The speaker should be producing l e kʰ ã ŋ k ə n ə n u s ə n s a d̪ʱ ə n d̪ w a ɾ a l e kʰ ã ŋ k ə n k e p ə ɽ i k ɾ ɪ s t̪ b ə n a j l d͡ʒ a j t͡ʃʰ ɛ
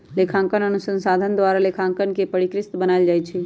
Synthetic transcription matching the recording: l e kʰ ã ŋ k ə n ə n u s ə n s a d̪ʱ ə n d̪ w a ɾ a l e kʰ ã ŋ k ə n k e p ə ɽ i k ɾ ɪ s t̪ b ə n a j l d͡ʒ a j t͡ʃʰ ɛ